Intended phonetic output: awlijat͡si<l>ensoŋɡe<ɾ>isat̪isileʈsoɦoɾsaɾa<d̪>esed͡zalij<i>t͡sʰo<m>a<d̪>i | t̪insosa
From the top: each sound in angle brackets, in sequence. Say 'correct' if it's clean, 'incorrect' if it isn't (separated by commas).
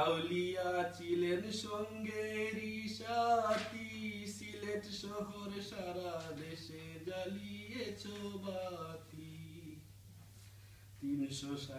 correct, correct, correct, incorrect, incorrect, incorrect